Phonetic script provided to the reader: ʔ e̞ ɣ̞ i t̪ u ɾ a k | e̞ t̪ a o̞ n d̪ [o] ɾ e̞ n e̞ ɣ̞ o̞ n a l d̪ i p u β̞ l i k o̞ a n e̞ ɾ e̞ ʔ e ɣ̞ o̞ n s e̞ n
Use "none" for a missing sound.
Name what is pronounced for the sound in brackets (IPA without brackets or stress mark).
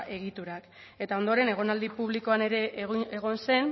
o